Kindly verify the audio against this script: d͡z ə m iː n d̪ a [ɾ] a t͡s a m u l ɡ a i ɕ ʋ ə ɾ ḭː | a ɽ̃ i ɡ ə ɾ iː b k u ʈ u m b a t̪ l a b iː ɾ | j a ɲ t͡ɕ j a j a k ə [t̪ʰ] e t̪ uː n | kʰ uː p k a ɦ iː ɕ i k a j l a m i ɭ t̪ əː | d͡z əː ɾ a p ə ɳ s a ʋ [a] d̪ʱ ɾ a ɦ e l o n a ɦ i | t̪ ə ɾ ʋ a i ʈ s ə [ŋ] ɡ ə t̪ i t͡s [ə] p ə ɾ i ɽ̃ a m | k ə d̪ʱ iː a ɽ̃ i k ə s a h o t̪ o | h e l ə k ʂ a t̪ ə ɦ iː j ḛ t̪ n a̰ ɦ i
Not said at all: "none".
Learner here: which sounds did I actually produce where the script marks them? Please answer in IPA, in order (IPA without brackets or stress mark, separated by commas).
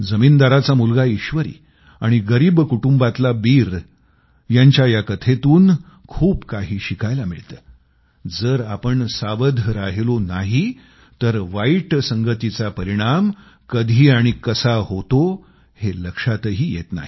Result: ɾ, t̪ʰ, ə, ŋ, a